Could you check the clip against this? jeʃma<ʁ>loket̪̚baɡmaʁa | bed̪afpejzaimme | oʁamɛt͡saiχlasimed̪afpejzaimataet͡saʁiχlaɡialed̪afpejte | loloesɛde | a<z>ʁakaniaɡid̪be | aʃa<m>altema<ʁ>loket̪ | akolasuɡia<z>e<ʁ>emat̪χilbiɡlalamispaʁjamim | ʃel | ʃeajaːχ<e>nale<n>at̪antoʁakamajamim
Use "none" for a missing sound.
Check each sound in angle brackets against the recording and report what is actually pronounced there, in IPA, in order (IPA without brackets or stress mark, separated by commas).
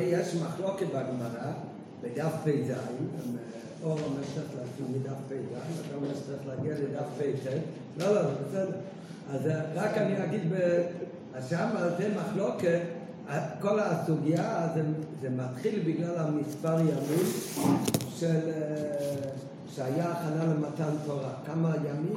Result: χ, z, m, χ, z, z, a, m